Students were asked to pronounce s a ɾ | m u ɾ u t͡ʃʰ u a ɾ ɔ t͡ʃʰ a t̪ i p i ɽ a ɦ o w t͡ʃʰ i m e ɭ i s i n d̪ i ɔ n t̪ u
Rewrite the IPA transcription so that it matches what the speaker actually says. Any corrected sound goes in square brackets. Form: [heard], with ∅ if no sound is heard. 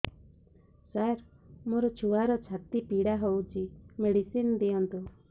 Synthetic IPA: s a ɾ | m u ɾ [ɔ] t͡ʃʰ u a ɾ ɔ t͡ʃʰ a t̪ i p i ɽ a ɦ o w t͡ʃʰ i m e [ɽ] i s i n d̪ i ɔ n t̪ u